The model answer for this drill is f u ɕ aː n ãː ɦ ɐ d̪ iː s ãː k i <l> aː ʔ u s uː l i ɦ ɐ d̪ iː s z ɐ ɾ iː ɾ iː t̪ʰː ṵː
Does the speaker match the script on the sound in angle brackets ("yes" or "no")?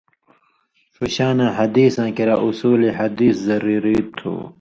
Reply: no